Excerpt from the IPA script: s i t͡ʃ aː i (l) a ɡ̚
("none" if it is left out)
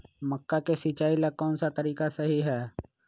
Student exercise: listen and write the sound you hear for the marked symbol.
l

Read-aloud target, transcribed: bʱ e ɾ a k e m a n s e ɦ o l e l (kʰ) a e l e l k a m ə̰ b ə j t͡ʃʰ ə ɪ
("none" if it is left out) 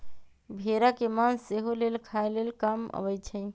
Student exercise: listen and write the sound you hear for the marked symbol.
kʰ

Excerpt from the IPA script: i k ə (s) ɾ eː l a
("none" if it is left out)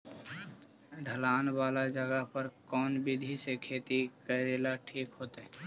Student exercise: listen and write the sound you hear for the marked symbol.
none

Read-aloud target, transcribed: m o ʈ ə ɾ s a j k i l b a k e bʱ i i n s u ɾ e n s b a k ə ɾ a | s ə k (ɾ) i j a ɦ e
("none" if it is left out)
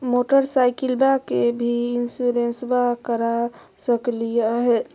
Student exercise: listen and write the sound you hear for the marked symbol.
l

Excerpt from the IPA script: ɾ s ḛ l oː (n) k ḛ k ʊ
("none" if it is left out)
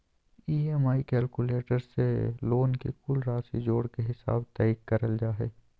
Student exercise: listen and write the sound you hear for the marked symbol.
n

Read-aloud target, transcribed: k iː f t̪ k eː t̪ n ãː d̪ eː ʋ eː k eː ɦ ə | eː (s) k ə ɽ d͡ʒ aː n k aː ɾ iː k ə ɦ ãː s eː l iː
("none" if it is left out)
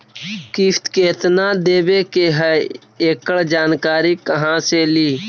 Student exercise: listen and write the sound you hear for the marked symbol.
none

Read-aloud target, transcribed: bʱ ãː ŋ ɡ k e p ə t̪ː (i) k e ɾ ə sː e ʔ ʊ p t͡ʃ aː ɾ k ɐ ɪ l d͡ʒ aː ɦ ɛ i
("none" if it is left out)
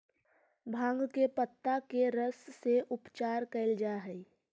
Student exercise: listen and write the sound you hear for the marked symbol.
a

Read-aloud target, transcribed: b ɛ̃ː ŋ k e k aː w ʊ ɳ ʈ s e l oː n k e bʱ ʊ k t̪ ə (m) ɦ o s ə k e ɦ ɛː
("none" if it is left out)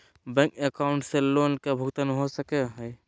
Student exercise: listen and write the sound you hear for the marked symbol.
n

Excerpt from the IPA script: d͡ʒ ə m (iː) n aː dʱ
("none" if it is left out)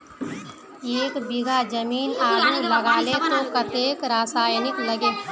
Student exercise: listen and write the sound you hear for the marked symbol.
iː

